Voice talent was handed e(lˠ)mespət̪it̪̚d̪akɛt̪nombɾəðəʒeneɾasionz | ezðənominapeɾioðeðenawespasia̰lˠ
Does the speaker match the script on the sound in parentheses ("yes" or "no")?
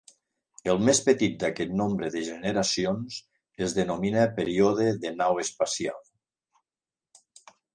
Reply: yes